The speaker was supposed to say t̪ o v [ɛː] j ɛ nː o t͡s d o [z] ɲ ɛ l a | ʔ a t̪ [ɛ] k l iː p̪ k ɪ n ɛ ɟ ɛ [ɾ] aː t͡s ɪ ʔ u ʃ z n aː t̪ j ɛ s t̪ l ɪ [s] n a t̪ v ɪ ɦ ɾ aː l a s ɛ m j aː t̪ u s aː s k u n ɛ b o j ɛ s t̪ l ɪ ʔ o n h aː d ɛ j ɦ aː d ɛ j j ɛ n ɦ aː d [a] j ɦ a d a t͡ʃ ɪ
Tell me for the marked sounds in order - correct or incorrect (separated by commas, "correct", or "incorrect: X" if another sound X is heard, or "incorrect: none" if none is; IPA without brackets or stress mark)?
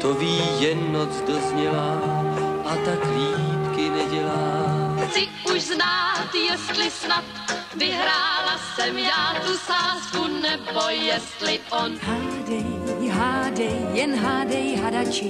incorrect: iː, correct, incorrect: a, incorrect: l, correct, incorrect: ɛ